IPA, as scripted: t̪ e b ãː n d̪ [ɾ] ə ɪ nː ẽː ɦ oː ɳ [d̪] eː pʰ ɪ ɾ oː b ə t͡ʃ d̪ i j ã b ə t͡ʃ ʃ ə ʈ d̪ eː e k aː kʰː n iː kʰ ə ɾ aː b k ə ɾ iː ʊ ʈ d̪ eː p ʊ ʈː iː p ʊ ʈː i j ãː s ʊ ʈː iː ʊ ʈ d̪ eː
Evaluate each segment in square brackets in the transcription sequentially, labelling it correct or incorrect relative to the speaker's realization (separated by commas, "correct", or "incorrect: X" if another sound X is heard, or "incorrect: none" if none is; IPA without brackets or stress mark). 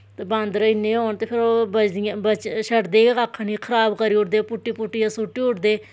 correct, incorrect: t̪